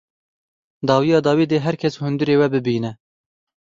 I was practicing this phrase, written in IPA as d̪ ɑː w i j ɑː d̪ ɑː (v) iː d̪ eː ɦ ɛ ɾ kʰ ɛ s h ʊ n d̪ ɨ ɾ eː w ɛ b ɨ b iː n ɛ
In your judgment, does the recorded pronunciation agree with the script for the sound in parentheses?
no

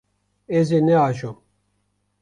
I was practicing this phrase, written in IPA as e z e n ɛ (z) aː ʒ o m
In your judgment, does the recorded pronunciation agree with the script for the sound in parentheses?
no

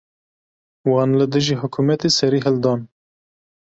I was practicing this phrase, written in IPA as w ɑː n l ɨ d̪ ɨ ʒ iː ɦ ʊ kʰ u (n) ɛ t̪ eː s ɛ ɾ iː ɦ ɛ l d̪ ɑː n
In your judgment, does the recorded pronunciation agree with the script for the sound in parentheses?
no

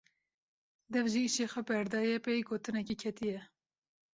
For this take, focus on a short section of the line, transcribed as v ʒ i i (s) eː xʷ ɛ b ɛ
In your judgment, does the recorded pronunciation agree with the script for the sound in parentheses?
no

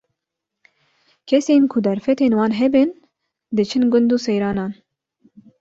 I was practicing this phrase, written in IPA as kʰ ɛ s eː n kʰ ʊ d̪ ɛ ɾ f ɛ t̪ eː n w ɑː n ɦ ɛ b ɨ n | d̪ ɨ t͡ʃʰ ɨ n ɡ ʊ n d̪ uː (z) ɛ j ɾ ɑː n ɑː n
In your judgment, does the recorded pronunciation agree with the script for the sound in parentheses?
no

